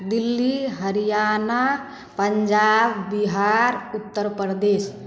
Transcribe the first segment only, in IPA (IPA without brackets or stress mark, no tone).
d̪